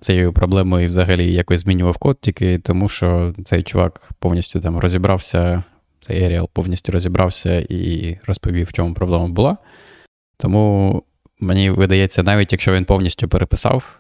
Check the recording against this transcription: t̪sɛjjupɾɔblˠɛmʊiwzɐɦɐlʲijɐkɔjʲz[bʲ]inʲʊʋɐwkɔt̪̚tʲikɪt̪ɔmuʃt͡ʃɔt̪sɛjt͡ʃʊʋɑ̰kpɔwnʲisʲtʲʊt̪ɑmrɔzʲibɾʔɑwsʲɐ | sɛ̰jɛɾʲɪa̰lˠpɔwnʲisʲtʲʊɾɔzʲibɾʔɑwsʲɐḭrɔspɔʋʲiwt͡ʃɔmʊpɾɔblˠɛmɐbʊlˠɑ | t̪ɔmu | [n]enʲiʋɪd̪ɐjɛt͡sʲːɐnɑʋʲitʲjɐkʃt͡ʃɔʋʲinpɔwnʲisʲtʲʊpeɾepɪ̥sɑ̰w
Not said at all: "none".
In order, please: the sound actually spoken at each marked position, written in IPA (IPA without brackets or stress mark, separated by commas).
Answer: mʲ, m